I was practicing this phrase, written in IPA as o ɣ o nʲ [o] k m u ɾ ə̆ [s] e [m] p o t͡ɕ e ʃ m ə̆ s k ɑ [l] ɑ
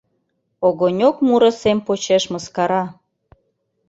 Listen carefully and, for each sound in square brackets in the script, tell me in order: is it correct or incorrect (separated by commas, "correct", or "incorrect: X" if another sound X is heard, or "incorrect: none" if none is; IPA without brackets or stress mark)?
correct, correct, correct, incorrect: ɾ